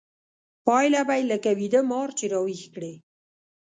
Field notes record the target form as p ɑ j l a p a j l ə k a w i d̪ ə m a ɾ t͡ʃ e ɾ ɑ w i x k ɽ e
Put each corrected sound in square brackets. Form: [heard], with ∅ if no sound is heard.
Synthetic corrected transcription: p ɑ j l a [b] a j l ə k a w i d̪ ə m [ɑ] ɾ t͡ʃ e ɾ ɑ w i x k ɽ e